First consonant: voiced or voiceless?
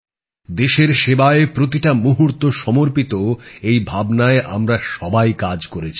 voiced